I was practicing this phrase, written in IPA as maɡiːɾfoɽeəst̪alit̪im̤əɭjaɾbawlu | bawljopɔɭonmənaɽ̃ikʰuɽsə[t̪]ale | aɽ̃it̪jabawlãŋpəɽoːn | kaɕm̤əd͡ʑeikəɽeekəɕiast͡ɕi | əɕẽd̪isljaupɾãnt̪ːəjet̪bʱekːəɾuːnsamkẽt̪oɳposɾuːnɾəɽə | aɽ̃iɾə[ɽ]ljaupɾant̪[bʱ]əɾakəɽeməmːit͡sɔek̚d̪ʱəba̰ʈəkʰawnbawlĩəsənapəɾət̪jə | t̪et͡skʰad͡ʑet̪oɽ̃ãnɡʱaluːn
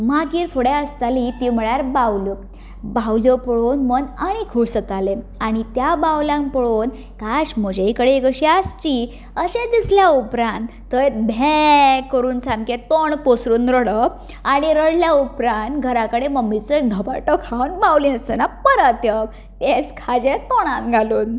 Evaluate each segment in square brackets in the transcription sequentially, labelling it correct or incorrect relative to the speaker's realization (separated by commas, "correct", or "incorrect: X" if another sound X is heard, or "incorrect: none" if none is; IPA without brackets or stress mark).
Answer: correct, correct, incorrect: ɡʱ